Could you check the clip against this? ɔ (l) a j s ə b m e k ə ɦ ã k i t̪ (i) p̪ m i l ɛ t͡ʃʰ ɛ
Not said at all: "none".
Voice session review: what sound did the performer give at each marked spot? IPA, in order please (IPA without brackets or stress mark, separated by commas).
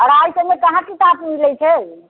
ɾ, a